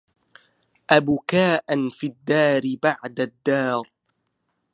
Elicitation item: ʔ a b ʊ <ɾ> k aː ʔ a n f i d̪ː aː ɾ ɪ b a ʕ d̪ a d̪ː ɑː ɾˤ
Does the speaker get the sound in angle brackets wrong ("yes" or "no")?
yes